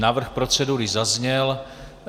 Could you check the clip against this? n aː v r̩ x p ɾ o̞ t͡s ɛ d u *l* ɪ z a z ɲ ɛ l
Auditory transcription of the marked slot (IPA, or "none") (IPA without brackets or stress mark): ɾ